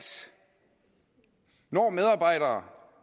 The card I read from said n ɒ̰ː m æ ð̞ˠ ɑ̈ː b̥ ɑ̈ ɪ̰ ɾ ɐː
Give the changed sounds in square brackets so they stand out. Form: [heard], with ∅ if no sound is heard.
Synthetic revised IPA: n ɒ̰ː m [e] ð̞ˠ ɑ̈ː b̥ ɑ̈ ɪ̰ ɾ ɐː